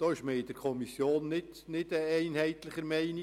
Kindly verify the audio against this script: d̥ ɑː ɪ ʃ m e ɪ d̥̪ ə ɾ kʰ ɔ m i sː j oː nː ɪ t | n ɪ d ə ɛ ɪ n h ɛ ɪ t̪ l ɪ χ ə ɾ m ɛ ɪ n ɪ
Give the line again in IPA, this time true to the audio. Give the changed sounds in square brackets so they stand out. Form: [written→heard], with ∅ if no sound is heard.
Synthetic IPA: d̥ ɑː ɪ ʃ m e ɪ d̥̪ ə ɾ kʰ ɔ m i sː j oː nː ɪ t | n ɪ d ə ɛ ɪ n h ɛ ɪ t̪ l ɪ χ ə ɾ m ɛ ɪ n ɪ